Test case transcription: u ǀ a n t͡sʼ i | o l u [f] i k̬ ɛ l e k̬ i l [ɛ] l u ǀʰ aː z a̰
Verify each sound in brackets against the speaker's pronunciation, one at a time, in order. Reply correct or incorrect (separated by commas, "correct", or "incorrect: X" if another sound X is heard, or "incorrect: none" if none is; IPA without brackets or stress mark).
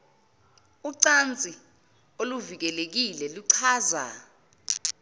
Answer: incorrect: v, correct